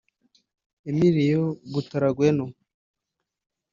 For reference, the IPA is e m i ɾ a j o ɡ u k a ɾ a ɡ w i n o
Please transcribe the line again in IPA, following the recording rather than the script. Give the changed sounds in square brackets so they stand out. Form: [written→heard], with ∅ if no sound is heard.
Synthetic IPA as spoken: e m i ɾ [a→i] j o ɡ u [k→t] a ɾ a ɡ w [i→e] n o